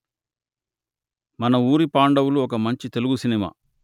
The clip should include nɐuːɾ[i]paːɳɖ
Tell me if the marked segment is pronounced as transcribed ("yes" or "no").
yes